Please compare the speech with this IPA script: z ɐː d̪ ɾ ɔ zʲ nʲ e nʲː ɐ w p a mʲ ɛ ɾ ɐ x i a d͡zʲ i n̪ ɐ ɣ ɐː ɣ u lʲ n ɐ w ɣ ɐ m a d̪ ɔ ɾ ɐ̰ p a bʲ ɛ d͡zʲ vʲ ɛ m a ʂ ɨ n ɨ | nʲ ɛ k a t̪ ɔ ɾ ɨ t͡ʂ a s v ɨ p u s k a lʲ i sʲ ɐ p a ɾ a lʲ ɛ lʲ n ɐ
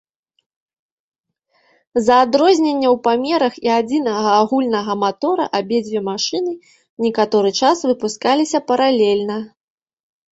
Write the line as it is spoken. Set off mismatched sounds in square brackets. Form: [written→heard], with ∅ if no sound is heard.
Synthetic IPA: z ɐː d̪ ɾ ɔ zʲ nʲ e nʲː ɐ w p a mʲ ɛ ɾ ɐ x i a d͡zʲ i n̪ ɐ ɣ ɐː ɣ u lʲ n ɐ [w→∅] ɣ ɐ m a [d̪→t̪] ɔ ɾ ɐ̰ [p→ʔ] a bʲ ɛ d͡zʲ vʲ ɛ m a ʂ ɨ n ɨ | nʲ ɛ k a t̪ ɔ ɾ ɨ t͡ʂ a s v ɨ p u s k a lʲ i sʲ ɐ p [a→ɐ] ɾ a lʲ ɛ lʲ n ɐ